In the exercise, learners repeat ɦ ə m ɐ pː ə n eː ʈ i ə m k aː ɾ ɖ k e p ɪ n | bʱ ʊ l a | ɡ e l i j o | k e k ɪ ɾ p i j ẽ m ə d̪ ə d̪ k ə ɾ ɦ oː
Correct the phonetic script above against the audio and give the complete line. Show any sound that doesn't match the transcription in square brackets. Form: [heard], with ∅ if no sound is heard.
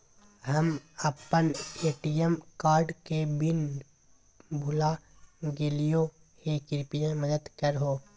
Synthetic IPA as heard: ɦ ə m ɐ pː ə n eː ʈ i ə m k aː ɾ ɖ k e [b] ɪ n | bʱ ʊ l a | ɡ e l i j o | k e k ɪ ɾ p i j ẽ m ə d̪ ə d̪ k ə ɾ ɦ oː